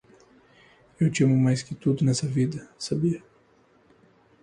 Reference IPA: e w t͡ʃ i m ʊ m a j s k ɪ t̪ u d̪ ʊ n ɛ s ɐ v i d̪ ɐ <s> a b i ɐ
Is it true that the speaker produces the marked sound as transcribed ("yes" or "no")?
yes